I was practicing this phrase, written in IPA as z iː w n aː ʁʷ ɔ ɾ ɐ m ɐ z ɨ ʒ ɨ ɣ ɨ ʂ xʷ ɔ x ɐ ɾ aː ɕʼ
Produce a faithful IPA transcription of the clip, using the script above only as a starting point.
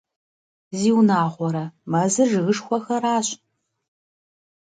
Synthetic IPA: z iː w n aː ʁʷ ɔ ɾ ɐ m ɐ z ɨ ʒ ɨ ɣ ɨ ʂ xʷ ɔ x ɐ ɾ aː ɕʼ